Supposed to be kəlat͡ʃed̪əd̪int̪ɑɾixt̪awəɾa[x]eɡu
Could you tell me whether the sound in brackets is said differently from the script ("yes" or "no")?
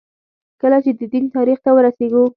yes